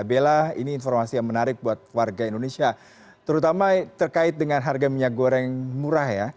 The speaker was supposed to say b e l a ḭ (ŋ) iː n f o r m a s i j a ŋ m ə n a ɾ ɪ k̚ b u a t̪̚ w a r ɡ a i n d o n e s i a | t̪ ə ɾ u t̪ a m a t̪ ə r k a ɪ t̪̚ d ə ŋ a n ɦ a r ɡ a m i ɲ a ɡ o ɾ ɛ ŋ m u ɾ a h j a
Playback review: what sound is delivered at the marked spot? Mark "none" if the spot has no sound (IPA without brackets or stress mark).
n